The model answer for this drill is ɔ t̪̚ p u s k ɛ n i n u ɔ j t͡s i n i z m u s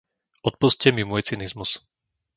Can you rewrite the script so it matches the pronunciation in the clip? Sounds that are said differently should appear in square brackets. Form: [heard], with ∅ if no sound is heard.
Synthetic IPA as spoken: ɔ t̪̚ p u s [c] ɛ [m] i [m] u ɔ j t͡s i n i z m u s